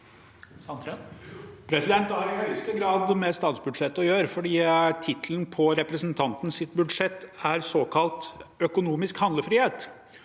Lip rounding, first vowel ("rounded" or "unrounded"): unrounded